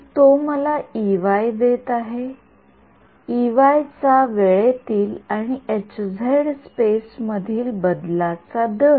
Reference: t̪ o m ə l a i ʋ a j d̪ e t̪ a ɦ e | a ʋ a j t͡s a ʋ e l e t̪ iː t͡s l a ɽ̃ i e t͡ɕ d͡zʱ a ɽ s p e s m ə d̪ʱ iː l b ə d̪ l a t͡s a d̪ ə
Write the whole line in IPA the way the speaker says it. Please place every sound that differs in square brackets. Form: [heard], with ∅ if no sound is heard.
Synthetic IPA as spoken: t̪ o m ə l a i ʋ a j d̪ e t̪ a ɦ e | [i] ʋ a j t͡s a ʋ e [ɭ] e t̪ iː [∅] l a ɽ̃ i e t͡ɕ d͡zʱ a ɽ s p e s m ə d̪ʱ iː l b ə d̪ l a t͡s a d̪ ə

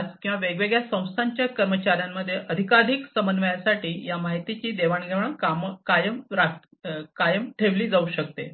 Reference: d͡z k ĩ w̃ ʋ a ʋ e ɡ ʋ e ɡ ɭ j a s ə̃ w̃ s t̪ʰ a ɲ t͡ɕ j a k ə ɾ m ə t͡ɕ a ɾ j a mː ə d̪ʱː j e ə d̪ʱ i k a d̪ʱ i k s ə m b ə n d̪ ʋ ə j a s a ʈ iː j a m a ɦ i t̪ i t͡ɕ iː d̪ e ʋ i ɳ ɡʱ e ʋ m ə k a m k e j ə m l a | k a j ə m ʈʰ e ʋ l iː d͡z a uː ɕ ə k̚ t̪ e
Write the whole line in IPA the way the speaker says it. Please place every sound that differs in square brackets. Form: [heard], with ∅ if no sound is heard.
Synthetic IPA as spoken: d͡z k ĩ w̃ ʋ a ʋ e ɡ ʋ e ɡ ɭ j a s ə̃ w̃ s t̪ʰ a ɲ t͡ɕ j a k ə ɾ m ə t͡ɕ a ɾ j a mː ə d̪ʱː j e ə d̪ʱ i k a d̪ʱ i k s ə m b ə n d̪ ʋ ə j a s a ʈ iː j a m a ɦ i t̪ i t͡ɕ iː d̪ e ʋ [a] ɳ ɡʱ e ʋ [ɳ] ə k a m k [a] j ə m [ɾ] a | k a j ə m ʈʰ e ʋ l iː d͡z a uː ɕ ə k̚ t̪ e

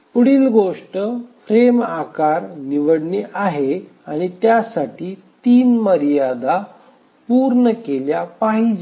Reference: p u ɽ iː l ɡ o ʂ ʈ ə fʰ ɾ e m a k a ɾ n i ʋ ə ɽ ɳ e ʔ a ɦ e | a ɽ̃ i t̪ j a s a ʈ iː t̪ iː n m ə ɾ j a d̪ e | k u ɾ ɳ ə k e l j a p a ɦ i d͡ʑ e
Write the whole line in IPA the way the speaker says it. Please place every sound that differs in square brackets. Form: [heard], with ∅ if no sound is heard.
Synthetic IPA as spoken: p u ɽ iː l ɡ o ʂ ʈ ə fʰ ɾ e m a k a ɾ n i ʋ ə ɽ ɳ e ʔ a ɦ e | a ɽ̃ i t̪ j a s a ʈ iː t̪ iː n m ə ɾ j a d̪ [a] | [p] u ɾ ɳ ə k e l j a p a ɦ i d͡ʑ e

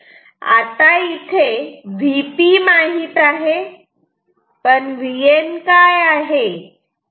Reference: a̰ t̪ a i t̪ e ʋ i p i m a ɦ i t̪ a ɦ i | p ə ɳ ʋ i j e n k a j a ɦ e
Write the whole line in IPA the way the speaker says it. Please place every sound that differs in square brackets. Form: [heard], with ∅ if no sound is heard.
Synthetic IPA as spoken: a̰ t̪ a i [t̪ʰ] e ʋ i p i m a ɦ i t̪ a ɦ [e] | p ə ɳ ʋ i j e n k a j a ɦ e

